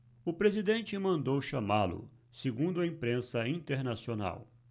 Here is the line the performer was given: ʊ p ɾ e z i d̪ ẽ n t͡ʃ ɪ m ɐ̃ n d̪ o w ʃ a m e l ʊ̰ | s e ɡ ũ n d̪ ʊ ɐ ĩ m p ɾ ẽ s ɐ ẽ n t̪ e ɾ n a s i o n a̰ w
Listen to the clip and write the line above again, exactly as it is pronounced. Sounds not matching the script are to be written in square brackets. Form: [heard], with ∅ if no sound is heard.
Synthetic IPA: ʊ p ɾ e z i d̪ ẽ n t͡ʃ ɪ m ɐ̃ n d̪ o w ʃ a m [a] l ʊ̰ | s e ɡ ũ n d̪ ʊ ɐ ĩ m p ɾ ẽ s ɐ [ĩ] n t̪ e ɾ n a s i o n a̰ w